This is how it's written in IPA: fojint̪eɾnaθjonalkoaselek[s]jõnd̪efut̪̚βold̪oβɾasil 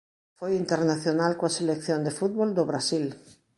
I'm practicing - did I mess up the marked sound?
yes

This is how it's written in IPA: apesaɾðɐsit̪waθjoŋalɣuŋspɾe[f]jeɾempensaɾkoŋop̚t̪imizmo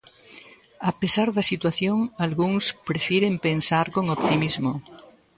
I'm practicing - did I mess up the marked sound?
no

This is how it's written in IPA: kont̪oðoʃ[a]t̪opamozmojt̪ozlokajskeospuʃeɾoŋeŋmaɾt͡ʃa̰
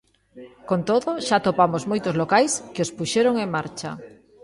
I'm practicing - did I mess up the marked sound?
no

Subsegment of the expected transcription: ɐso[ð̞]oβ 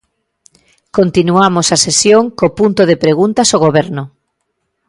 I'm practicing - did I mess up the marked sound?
yes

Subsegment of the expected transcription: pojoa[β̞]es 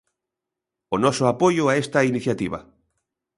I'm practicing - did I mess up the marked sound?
yes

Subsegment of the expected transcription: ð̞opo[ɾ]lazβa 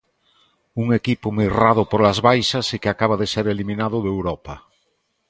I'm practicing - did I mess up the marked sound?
no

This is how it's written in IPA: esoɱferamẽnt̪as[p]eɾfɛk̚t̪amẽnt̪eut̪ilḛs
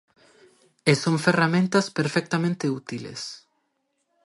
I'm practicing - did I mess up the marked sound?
no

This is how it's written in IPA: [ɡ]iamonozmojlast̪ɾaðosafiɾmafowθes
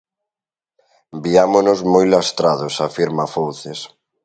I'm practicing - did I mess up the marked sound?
yes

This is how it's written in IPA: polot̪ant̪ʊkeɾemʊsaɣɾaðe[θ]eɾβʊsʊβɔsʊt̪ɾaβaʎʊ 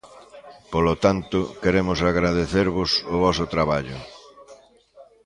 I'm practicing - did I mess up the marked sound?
no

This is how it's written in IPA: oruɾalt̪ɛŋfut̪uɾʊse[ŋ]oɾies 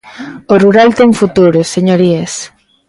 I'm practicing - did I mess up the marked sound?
yes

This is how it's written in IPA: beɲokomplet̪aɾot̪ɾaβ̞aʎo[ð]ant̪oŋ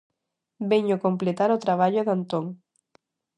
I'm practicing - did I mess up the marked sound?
no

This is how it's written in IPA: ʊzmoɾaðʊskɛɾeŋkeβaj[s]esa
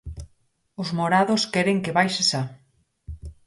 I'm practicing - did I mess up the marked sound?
yes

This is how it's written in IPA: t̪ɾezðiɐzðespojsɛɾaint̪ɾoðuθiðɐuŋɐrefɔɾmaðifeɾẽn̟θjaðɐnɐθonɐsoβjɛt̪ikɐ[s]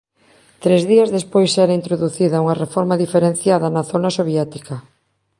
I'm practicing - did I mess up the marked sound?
yes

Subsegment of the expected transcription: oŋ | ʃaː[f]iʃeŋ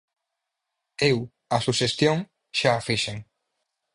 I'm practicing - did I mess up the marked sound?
no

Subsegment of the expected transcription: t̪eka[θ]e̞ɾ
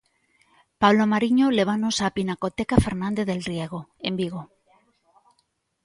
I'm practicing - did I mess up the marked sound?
yes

